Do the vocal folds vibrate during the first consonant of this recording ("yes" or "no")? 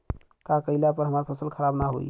no